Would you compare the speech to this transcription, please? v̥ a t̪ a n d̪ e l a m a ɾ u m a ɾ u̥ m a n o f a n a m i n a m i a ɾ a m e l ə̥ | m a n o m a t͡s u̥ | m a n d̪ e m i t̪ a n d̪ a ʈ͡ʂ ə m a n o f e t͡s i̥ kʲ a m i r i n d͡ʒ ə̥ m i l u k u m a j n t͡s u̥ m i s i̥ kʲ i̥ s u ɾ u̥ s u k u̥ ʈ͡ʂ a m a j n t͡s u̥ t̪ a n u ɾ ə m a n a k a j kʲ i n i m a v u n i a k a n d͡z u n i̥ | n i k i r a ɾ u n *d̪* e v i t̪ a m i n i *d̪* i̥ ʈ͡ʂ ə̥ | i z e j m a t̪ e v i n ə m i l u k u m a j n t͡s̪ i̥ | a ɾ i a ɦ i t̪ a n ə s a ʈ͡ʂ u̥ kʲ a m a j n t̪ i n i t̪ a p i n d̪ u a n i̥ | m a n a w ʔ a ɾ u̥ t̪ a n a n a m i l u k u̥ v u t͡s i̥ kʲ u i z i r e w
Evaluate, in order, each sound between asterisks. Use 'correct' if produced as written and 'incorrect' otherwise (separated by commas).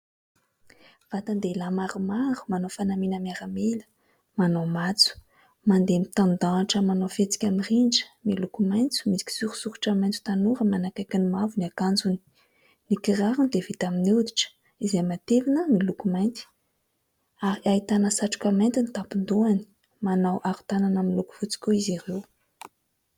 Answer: correct, correct